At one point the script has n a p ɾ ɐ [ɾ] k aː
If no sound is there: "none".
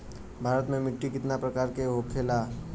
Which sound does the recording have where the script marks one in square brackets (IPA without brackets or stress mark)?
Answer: none